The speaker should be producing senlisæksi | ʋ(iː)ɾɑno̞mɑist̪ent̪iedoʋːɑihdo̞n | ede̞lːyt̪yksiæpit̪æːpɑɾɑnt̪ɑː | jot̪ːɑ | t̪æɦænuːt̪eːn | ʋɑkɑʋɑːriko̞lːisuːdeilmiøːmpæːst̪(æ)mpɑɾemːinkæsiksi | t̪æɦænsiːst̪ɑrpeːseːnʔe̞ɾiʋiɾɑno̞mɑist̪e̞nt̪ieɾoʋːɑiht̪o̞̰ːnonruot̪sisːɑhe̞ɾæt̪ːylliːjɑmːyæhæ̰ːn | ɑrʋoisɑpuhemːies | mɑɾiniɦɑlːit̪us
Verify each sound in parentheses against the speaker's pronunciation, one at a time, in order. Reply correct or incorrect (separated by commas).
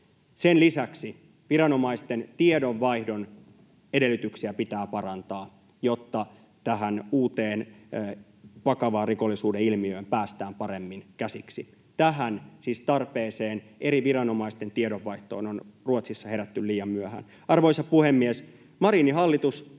incorrect, incorrect